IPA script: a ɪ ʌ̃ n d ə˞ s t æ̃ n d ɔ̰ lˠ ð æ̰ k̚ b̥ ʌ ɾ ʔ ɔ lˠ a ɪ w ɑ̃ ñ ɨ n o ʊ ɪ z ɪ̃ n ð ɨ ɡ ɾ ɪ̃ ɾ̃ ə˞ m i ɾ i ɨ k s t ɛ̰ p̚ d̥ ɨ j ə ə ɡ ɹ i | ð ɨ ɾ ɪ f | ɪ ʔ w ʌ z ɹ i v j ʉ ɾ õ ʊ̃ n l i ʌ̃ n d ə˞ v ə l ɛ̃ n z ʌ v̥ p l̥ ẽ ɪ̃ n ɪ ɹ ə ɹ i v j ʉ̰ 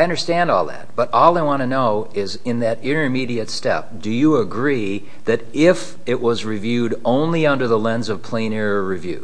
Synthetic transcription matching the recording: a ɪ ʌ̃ n d ə˞ s t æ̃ n d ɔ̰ lˠ ð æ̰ t̚ b̥ ʌ ɾ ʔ ɔ lˠ a ɪ w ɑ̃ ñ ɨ n o ʊ ɪ z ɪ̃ n ð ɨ ɾ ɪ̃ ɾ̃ ə˞ m i ɾ i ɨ t s t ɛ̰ p̚ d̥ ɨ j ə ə ɡ ɹ i | ð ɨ ɾ ɪ f | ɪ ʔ w ʌ z ɹ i v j ʉ ɾ õ ʊ̃ n l i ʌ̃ n d ə˞ ð ə l ɛ̃ n z ʌ v̥ pʰ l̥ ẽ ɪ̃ n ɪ ɹ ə ɹ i v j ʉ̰